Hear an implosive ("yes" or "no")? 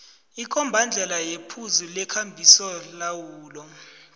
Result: no